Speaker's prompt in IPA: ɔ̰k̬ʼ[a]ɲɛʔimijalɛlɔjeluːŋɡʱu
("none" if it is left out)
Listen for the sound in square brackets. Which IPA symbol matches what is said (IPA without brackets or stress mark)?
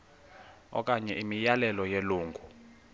a